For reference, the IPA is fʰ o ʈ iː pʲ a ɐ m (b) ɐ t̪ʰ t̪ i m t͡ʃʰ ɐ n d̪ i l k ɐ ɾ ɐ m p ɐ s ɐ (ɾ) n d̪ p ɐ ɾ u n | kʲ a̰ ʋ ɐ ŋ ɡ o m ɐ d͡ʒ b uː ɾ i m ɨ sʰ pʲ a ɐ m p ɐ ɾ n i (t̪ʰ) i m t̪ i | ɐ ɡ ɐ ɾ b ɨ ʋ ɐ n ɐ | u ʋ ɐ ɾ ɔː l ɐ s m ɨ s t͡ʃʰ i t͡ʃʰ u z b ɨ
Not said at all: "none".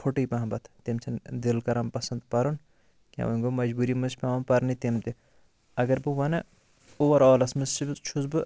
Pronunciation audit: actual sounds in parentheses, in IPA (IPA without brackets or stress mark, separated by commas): b, none, t̪